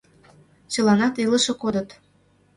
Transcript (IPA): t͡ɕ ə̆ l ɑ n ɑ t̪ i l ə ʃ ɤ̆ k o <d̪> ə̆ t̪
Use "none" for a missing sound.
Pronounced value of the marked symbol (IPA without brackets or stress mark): d̪